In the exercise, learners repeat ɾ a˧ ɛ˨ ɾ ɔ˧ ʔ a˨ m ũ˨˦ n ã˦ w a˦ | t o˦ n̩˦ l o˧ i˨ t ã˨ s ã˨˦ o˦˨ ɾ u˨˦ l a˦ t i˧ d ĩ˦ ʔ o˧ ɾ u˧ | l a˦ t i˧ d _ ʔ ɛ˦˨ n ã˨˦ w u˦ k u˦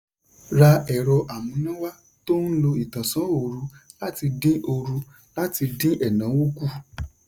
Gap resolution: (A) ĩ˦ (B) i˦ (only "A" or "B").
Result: A